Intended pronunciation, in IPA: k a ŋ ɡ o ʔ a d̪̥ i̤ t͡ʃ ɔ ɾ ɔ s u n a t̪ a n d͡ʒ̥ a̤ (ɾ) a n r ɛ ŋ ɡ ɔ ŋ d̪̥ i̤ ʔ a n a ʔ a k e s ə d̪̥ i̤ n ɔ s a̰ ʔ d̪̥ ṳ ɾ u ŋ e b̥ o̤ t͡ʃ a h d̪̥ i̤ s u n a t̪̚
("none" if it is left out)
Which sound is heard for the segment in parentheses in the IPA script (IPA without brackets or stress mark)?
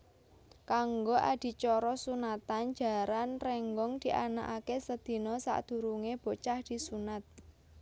ɾ